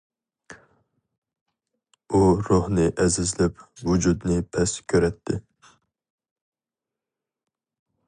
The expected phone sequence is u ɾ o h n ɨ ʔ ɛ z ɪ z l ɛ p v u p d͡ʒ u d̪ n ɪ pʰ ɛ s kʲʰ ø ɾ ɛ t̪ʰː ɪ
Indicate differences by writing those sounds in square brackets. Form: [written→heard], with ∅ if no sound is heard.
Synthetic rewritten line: u ɾ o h n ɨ ʔ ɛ z ɪ z l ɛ p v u [p→∅] d͡ʒ u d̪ n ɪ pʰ ɛ s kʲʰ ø ɾ ɛ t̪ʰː ɪ